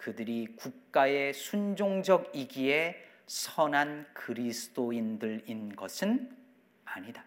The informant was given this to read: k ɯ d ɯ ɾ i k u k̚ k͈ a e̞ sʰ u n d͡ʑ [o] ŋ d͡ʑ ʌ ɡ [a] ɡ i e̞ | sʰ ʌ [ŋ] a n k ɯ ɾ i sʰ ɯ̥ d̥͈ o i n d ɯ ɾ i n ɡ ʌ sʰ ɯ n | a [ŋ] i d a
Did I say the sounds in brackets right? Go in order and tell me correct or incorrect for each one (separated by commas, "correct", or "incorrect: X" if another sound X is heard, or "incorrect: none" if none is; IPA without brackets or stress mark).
correct, incorrect: i, incorrect: n, incorrect: ɲ